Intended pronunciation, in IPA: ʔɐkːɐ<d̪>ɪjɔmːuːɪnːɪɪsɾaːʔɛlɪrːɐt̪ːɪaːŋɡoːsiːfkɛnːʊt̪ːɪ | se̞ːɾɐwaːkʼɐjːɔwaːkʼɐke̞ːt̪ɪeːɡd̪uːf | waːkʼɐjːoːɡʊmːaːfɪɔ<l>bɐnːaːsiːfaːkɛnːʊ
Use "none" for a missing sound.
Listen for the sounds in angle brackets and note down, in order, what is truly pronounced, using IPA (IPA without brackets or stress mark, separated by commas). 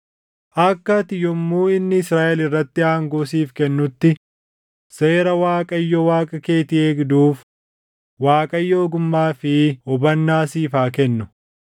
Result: t̪, none